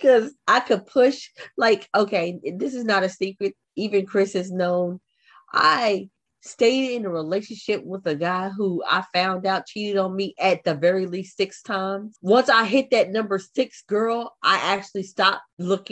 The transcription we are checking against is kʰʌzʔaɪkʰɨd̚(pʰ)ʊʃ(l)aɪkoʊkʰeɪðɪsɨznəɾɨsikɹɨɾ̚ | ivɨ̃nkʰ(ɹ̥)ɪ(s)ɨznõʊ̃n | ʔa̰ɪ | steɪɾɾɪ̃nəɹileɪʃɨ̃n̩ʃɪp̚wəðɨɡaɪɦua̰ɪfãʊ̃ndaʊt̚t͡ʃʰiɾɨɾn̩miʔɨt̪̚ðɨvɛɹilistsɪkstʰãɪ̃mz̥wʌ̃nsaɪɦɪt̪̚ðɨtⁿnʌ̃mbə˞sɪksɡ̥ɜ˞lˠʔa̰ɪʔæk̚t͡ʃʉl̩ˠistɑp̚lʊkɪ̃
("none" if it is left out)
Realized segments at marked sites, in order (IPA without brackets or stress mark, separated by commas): pʰ, l, ɹ̥, s